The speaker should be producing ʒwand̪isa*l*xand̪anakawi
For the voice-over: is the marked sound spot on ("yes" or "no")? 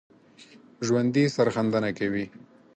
no